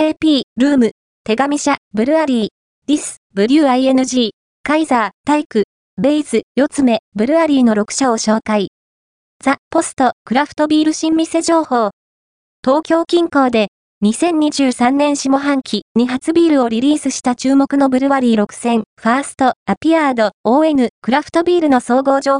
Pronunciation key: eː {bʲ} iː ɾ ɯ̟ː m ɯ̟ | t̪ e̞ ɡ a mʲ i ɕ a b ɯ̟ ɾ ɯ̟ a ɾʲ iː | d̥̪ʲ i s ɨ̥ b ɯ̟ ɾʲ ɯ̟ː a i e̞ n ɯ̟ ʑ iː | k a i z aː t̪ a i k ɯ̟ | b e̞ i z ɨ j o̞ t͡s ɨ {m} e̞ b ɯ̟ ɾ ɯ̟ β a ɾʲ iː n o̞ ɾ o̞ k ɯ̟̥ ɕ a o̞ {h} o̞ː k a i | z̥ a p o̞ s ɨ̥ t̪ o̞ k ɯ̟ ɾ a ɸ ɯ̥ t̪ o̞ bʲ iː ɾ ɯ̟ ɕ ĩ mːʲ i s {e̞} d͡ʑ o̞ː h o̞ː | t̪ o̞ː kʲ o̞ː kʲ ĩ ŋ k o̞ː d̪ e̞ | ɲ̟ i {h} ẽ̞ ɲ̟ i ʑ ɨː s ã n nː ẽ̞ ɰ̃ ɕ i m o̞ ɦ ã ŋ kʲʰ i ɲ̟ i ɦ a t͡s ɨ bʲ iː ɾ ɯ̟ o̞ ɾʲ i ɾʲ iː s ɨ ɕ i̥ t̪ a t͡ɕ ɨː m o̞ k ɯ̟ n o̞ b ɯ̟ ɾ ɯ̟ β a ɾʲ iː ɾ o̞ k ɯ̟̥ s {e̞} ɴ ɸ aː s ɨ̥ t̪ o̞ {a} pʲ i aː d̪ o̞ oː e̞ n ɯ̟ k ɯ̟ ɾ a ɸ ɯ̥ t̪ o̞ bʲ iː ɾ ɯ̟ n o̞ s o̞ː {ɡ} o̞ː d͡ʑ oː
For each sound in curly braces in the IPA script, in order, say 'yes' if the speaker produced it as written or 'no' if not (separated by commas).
no, yes, no, yes, no, no, yes, yes